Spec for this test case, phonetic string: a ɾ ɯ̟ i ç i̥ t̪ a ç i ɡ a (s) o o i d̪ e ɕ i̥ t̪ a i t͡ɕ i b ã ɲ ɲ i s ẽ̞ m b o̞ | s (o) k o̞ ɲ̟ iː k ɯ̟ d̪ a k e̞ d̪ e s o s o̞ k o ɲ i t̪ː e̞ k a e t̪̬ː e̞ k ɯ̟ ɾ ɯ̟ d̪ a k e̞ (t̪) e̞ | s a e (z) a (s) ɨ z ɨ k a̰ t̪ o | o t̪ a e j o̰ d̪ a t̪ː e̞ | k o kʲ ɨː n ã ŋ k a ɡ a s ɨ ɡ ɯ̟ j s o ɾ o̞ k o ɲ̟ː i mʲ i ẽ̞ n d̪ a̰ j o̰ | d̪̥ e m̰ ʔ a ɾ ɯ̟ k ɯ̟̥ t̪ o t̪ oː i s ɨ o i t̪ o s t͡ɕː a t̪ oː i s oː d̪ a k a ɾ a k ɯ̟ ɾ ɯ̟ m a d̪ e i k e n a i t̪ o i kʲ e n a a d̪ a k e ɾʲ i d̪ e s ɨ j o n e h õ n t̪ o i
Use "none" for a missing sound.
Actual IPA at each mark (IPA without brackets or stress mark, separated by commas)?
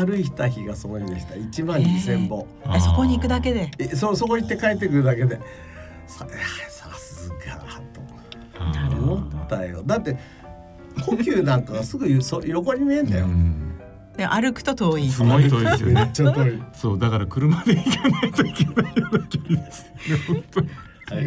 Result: s, o, d̪, s, s